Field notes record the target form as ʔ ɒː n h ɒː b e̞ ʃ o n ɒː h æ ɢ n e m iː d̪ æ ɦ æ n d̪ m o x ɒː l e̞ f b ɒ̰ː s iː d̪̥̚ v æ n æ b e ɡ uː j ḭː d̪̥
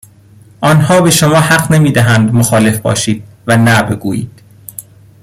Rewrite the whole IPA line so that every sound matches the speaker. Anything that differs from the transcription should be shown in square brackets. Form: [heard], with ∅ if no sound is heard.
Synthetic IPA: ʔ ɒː n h ɒː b e̞ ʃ o [m] ɒː h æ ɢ n e m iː d̪ æ ɦ æ n d̪ m o x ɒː l e̞ f b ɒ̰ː [ʃ] iː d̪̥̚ v æ n æ b e ɡ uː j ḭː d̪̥